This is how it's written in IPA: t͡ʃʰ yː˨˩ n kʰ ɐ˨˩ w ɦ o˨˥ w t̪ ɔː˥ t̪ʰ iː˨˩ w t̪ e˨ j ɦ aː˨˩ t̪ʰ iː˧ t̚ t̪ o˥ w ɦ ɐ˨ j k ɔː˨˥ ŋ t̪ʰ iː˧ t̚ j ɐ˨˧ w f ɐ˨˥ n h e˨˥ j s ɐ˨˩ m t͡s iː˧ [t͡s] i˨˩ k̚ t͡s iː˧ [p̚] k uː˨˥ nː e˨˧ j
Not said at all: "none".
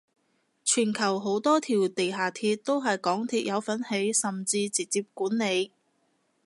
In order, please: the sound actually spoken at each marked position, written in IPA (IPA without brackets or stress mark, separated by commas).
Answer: t͡s, p̚